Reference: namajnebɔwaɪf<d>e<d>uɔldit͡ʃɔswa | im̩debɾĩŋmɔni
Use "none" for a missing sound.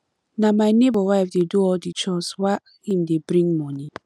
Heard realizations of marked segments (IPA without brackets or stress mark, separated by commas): d, d